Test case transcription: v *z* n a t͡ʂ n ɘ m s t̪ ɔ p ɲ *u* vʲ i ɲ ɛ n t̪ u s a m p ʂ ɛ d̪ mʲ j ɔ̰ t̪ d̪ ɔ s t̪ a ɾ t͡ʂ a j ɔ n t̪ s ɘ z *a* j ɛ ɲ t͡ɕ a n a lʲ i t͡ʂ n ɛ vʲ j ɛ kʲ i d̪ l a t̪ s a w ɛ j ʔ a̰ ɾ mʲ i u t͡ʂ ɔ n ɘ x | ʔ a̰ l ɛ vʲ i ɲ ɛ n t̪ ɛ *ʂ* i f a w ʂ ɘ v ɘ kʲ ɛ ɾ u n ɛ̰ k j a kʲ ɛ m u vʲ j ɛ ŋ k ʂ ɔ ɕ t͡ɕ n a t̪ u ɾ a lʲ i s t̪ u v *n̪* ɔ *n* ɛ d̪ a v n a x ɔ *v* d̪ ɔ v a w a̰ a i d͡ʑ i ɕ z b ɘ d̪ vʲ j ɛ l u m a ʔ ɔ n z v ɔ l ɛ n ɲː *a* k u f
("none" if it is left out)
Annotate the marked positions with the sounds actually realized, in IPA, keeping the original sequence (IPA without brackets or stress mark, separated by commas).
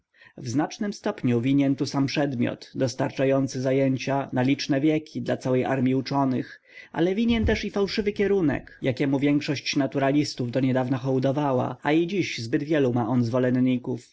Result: z, u, a, ʂ, d̪, ɲ, w, i